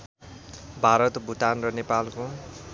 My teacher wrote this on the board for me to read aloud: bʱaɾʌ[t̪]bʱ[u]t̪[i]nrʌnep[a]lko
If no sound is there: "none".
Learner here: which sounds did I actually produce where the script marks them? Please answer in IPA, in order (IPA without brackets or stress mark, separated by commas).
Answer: t̪, u, a, a